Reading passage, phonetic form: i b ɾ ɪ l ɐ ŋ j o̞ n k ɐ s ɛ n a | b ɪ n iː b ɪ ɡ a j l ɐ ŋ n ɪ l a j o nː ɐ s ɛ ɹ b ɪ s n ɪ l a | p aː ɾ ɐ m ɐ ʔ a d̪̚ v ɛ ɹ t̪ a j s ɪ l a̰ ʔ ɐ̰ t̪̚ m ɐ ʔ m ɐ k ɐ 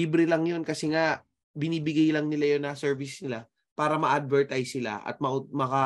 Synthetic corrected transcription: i b ɾ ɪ l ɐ ŋ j o̞ n k ɐ s ɛ ŋ a | b ɪ n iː b ɪ ɡ a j l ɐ ŋ n ɪ l a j o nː ɐ s ɛ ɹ v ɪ s n ɪ l a | p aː ɾ ɐ m ɐ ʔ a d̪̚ v ɛ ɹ t̪ a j s ɪ l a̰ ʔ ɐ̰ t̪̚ m ɐ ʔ m ɐ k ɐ